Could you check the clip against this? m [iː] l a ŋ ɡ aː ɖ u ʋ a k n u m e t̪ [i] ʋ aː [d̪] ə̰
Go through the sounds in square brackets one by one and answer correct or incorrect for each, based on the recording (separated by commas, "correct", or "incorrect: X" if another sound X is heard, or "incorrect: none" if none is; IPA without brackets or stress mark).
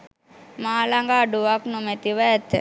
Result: incorrect: aː, correct, incorrect: t̪